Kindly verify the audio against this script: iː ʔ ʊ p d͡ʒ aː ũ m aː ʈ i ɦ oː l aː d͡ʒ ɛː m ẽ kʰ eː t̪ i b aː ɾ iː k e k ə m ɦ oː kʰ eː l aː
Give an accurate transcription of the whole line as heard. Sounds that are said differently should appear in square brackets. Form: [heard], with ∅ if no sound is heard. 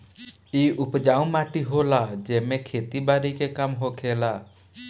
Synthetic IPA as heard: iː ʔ ʊ p d͡ʒ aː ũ m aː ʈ i ɦ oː l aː d͡ʒ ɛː m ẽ kʰ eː t̪ i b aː ɾ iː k e k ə m ɦ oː kʰ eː l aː